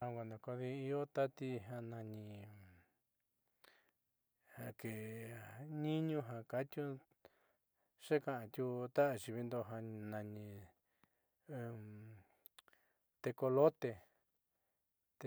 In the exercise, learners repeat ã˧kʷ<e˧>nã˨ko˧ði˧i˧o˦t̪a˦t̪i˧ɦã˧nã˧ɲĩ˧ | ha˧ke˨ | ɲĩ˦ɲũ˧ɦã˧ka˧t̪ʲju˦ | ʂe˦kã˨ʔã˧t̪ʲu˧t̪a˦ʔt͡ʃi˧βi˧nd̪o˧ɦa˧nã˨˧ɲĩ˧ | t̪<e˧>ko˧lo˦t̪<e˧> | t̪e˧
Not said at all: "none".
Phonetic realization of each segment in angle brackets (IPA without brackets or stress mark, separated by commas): a˧, e˧, e˧